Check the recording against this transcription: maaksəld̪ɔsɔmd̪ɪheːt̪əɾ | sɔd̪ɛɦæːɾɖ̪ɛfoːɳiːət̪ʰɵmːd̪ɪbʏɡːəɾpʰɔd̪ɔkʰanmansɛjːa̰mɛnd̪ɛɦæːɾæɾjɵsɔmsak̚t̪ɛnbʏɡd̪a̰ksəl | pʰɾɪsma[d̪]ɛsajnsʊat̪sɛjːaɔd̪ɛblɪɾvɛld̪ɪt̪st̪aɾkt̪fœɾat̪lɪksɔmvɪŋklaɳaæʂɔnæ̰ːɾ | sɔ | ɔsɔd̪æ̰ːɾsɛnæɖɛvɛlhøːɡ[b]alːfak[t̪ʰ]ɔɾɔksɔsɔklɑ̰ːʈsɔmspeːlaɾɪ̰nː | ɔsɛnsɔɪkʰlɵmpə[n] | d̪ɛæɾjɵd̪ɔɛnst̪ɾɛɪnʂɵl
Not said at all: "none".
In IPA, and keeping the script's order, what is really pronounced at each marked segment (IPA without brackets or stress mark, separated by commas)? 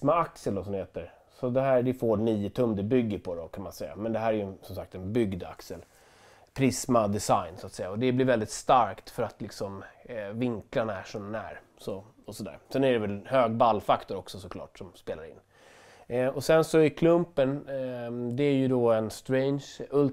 d̪, b, t̪, n